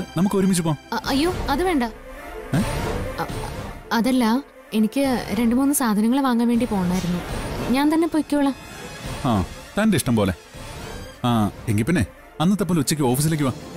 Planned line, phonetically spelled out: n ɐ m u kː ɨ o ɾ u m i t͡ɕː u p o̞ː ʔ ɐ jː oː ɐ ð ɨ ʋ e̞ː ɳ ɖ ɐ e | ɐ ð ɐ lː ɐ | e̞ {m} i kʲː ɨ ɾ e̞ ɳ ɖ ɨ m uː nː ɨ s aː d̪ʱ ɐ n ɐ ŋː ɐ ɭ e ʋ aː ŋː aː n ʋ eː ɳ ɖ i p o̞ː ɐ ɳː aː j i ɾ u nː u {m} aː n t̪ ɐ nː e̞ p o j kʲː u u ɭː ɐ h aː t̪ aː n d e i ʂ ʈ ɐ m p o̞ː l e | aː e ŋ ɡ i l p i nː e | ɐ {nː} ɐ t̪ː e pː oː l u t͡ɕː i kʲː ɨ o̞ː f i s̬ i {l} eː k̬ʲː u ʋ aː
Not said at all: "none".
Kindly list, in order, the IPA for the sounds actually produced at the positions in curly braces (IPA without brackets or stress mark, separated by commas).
n, ɲ, nː, l